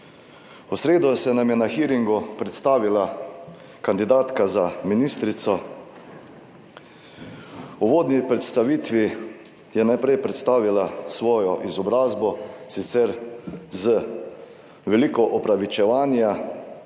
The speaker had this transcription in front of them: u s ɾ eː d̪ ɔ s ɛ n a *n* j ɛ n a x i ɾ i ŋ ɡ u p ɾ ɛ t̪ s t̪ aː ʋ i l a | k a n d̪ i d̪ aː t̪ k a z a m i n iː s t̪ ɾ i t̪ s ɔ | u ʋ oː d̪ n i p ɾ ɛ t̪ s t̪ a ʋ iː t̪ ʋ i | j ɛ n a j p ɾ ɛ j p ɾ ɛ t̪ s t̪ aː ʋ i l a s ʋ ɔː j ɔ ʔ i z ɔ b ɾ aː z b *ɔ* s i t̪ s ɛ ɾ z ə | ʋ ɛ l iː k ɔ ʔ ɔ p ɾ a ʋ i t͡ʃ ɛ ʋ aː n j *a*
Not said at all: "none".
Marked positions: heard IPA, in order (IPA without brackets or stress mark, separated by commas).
m, ɔ, a